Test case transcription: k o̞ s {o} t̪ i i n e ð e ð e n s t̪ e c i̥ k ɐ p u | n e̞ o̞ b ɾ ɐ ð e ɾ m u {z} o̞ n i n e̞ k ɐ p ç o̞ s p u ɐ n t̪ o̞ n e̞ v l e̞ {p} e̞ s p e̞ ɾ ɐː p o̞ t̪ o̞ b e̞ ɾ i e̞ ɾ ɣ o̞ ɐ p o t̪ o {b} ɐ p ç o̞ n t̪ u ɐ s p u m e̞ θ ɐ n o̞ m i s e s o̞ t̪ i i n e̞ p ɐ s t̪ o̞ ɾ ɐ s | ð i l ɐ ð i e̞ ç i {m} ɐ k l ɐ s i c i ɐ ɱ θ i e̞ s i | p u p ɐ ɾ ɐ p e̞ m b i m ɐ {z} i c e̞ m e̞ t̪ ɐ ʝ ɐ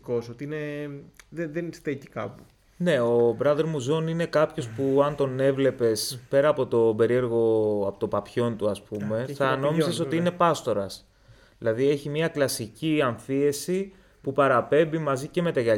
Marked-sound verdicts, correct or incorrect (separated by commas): correct, correct, correct, incorrect, correct, correct